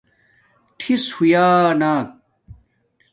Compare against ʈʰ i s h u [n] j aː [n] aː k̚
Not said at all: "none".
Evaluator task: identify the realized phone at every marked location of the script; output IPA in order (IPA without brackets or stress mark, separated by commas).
none, n